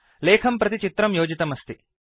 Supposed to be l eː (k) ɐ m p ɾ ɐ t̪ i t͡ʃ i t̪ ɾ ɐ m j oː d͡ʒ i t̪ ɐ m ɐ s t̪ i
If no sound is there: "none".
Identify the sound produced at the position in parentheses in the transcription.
kʰ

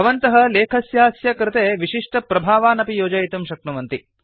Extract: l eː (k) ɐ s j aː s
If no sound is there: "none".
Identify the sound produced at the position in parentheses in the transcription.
kʰ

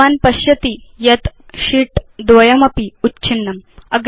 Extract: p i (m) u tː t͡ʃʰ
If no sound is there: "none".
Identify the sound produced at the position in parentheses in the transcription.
none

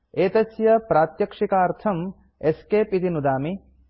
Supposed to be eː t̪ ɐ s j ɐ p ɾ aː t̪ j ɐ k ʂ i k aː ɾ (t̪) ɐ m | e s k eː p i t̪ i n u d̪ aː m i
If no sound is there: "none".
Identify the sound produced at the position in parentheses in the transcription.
t̪ʰ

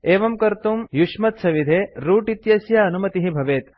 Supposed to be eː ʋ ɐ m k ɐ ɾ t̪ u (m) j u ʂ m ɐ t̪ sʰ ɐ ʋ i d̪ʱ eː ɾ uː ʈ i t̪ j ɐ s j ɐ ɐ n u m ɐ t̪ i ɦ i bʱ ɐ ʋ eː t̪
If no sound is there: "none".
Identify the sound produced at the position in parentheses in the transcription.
m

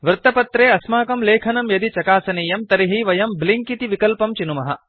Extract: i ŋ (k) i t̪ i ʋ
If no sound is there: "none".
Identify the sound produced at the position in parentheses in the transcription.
k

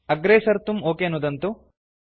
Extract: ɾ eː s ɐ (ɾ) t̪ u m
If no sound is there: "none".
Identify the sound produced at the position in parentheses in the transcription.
ɾ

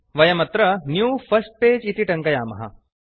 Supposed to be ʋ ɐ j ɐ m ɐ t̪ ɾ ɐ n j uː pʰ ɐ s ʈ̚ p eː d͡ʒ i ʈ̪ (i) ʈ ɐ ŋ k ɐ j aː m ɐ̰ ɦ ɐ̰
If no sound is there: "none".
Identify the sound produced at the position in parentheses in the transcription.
i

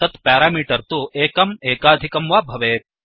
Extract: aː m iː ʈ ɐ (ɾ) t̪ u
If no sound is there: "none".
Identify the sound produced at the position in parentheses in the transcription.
ɾ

